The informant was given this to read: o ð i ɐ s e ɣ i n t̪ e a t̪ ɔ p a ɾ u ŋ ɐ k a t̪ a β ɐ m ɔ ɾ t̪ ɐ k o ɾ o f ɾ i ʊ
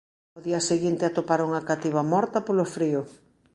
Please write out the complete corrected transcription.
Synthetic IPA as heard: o ð i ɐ s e ɣ i n t̪ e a t̪ o p a ɾ u ŋ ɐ k a t̪ i β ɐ m ɔ ɾ t̪ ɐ p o l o f ɾ i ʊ